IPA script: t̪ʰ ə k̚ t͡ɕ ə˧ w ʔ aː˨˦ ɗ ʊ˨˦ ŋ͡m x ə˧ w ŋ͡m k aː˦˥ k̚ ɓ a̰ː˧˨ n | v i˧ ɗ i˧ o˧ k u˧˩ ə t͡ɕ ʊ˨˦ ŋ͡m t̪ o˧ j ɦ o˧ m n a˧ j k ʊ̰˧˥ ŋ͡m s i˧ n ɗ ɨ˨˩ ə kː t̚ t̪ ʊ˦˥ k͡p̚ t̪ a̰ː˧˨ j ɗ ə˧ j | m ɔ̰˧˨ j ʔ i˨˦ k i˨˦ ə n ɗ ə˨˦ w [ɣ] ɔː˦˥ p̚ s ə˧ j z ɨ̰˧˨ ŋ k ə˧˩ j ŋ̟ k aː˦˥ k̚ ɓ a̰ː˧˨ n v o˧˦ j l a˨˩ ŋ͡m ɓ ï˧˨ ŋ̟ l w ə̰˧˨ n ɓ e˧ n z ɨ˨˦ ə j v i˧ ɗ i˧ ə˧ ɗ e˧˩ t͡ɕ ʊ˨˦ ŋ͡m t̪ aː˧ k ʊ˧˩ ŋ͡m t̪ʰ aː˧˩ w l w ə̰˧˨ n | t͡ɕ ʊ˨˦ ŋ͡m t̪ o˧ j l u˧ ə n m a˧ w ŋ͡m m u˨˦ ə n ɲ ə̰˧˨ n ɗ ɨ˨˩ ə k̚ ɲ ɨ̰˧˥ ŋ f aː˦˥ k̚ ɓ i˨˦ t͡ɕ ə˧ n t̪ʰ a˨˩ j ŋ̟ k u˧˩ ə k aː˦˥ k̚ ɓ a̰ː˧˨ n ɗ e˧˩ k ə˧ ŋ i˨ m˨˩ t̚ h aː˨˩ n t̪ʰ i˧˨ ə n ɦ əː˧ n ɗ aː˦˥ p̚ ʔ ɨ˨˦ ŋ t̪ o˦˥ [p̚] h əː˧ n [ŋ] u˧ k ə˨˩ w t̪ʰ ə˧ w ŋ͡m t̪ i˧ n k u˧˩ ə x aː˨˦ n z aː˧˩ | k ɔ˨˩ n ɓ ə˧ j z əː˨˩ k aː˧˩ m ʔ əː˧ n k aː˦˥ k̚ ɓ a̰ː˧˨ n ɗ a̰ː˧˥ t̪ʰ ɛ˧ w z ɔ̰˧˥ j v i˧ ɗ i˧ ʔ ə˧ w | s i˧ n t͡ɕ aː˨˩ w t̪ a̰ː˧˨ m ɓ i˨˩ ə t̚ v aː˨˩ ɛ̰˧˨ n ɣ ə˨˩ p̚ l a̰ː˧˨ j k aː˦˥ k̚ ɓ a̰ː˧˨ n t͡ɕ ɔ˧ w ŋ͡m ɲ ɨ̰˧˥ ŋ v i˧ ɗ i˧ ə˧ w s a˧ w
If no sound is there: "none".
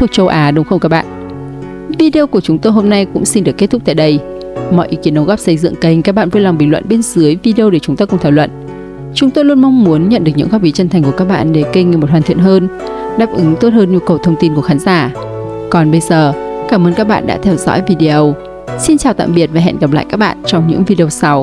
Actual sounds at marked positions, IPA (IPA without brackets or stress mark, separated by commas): ɣ, t̚, ɲ